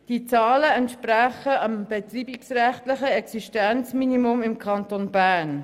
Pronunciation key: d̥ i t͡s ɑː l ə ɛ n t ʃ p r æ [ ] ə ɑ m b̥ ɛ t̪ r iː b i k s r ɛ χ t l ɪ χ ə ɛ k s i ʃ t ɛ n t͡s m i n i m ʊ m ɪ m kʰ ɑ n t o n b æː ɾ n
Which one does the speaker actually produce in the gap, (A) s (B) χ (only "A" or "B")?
B